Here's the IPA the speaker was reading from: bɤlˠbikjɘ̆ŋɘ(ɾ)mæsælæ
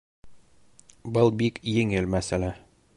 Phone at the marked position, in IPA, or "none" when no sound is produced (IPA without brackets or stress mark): l